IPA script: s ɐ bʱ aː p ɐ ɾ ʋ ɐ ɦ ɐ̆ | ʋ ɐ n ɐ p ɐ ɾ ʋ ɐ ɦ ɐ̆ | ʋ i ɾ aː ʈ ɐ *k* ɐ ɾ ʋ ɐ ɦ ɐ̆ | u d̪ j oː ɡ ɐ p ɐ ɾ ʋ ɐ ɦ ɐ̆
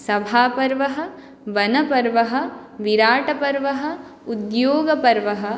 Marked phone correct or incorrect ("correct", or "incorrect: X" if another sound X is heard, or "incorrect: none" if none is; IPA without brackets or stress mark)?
incorrect: p